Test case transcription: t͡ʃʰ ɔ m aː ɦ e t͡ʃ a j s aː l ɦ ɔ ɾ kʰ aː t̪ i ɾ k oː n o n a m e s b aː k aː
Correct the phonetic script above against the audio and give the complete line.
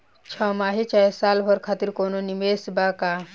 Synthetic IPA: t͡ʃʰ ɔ m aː ɦ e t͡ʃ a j s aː l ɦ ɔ ɾ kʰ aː t̪ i ɾ k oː n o n i m e s b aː k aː